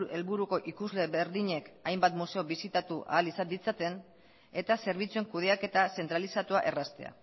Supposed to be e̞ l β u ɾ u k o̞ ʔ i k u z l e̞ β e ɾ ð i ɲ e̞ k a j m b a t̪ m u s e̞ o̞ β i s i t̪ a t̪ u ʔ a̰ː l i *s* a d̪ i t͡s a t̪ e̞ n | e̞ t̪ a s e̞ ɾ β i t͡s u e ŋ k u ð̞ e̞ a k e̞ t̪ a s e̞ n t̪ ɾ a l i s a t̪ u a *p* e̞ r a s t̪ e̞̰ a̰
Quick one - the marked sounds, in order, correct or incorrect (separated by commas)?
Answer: correct, incorrect